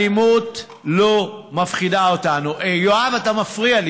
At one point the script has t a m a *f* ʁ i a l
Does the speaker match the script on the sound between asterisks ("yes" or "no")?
yes